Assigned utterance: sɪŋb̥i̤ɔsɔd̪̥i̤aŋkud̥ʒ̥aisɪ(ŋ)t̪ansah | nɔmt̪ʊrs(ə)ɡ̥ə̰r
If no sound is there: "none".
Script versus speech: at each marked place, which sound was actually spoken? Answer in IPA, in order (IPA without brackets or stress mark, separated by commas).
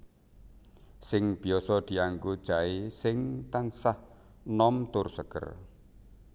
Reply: ŋ, ə